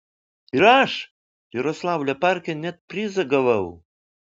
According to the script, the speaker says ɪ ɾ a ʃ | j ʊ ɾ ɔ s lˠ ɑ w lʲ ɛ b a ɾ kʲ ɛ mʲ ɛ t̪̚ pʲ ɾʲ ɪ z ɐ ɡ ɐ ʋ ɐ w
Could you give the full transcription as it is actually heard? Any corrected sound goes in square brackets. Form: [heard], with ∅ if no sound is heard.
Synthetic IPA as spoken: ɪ ɾ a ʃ | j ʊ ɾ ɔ s lˠ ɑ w lʲ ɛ [p] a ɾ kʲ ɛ [nʲ] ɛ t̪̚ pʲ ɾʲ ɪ z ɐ ɡ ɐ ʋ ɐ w